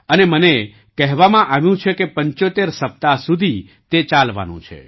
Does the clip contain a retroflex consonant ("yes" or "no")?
no